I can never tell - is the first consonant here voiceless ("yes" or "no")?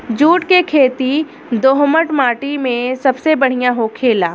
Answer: no